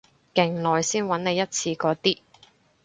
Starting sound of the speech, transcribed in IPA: k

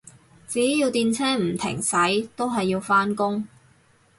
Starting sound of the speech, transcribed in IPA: t͡s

